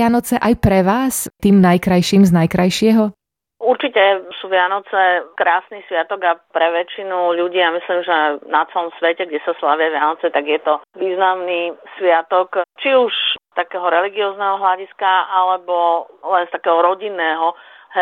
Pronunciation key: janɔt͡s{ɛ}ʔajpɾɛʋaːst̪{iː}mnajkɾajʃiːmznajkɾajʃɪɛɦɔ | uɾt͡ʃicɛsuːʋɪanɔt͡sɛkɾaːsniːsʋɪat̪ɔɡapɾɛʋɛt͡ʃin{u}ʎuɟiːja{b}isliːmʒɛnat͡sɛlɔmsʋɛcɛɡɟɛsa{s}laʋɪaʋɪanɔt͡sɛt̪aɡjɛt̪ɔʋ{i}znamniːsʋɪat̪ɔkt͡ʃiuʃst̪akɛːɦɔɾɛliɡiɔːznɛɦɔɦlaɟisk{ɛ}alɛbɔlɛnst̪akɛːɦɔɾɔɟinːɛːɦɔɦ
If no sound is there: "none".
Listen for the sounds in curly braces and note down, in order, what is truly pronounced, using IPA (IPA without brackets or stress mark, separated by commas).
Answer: ɛ, iː, u, m, s, iː, a